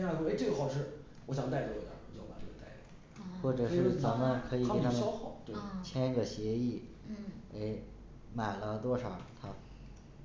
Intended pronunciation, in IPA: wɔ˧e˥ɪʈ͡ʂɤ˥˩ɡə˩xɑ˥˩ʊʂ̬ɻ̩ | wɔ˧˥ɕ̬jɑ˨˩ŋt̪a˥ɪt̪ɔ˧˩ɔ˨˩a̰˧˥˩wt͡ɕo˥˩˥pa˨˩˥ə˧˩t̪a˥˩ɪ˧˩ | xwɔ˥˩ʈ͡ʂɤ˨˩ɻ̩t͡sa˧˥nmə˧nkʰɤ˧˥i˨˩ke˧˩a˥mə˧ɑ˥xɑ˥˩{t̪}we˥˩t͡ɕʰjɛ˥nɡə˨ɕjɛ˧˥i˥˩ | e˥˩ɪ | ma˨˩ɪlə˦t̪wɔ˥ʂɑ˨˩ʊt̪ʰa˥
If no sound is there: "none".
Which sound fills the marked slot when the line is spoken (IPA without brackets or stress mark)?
t̪